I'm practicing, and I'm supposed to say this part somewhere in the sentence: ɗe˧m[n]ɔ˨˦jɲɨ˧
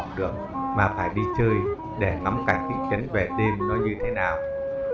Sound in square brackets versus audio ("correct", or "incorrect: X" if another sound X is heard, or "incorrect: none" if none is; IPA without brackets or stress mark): correct